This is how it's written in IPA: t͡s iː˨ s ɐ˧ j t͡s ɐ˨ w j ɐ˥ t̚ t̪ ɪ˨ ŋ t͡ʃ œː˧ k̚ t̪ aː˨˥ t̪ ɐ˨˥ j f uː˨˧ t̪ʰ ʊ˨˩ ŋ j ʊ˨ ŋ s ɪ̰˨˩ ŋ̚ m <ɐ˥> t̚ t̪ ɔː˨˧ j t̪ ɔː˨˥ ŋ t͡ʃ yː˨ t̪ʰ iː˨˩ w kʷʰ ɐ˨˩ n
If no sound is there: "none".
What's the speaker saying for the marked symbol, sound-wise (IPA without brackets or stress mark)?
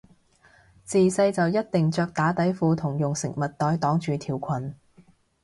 ɐ˨